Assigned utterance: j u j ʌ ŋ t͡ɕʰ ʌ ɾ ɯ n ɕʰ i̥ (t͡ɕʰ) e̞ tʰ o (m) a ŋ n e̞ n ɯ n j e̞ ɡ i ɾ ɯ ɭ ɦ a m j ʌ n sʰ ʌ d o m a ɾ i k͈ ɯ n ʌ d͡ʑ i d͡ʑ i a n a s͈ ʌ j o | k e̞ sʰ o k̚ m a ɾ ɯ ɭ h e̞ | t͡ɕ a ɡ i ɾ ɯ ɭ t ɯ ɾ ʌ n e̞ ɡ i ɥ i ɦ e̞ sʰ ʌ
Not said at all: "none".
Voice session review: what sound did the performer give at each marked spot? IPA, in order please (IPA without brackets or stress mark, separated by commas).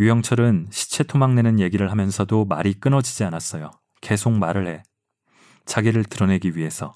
t͡ɕʰ, m